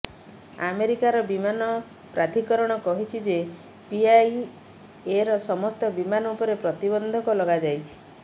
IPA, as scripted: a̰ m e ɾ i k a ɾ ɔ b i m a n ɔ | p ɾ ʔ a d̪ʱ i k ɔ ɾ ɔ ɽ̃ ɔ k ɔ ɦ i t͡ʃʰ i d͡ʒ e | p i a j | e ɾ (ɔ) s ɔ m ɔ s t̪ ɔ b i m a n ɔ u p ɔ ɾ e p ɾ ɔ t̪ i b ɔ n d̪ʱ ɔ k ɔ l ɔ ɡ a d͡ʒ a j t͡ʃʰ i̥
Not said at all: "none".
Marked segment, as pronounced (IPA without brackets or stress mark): ɔ